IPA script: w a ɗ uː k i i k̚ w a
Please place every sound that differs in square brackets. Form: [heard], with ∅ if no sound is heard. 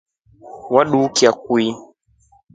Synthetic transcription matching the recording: w a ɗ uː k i [a] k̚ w [i]